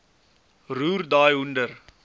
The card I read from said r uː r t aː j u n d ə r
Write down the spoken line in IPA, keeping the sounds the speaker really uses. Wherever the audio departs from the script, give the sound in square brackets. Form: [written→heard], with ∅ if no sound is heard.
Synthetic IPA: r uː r [t→d] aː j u n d ə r